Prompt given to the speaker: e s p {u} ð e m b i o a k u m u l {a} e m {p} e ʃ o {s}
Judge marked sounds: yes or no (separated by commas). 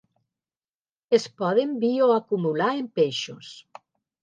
no, yes, yes, yes